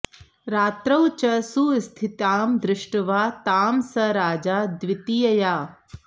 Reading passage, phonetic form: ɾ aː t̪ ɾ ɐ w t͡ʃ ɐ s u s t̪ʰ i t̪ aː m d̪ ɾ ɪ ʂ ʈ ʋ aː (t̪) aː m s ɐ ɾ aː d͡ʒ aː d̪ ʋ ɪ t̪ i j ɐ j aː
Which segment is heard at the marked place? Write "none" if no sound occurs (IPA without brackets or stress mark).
t̪